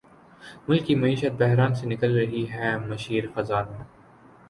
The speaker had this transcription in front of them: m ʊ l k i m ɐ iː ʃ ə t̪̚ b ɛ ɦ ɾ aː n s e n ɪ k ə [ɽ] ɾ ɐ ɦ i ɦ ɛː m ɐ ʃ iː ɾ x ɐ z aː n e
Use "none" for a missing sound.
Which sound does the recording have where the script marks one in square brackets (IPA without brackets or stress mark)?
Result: l